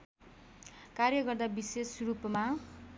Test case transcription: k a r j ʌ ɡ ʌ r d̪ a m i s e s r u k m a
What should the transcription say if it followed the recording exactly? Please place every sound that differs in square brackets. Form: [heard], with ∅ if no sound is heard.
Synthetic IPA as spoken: k a r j ʌ ɡ ʌ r d̪ a [b] i s e s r u [p] m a